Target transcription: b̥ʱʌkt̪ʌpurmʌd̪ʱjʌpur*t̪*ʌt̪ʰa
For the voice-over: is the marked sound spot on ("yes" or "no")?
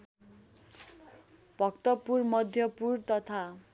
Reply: yes